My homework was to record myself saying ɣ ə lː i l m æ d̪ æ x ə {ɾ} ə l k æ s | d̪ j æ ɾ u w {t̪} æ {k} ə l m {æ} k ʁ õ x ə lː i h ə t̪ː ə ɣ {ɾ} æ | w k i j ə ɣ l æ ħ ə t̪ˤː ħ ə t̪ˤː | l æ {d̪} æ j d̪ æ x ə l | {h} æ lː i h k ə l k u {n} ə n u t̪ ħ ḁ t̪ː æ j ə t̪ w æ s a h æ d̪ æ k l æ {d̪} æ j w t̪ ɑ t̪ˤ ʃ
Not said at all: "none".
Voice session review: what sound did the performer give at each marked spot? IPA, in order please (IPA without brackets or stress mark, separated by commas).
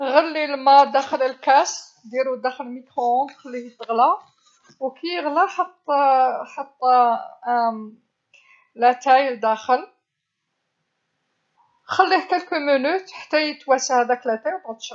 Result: l, d̪, x, i, l, t̪, x, m, t̪